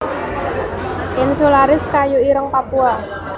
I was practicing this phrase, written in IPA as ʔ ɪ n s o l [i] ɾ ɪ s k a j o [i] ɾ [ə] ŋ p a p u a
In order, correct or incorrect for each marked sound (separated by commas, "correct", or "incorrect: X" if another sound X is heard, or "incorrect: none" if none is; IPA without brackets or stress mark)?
incorrect: a, correct, correct